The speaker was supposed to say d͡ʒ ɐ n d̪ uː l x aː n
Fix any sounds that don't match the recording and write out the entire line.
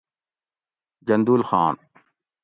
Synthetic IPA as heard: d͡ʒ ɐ n d̪ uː l x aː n